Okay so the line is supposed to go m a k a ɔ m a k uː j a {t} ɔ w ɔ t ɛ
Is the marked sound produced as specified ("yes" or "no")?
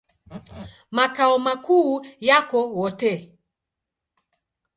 no